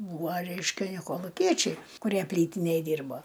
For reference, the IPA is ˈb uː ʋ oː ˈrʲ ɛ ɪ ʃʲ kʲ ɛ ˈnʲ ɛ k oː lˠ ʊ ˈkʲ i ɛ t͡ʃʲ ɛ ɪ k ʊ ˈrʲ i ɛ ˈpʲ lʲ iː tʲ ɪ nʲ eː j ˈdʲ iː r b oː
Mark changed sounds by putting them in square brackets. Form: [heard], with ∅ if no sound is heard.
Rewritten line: ˈb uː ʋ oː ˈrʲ ɛ ɪ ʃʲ kʲ ɛ ˈnʲ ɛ k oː lˠ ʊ ˈkʲ i ɛ t͡ʃʲ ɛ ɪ k ʊ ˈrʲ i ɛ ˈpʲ lʲ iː tʲ ɪ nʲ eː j ˈdʲ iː r b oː